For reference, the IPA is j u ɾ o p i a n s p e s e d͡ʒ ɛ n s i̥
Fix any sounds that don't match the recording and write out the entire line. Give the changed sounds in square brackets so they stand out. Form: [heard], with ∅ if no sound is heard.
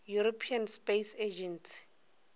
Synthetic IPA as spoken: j u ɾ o [pʰ] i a n s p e s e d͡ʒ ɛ n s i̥